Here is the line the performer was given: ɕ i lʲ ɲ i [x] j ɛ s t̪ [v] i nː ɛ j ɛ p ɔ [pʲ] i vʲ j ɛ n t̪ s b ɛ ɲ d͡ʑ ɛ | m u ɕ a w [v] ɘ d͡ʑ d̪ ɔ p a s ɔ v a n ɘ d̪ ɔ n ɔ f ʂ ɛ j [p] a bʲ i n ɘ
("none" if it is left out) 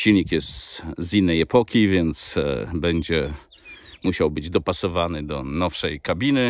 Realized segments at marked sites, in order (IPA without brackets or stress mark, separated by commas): k, z, kʲ, b, k